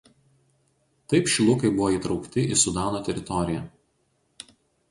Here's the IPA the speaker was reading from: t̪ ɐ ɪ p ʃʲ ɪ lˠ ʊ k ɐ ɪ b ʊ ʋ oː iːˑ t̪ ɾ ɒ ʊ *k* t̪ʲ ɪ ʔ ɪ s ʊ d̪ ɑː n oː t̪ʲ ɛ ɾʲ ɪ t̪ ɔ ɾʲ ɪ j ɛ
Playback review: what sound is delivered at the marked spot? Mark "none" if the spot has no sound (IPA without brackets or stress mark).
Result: k